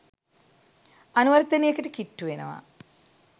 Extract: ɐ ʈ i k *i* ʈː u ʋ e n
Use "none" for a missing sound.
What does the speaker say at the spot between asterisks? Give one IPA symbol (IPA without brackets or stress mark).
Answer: i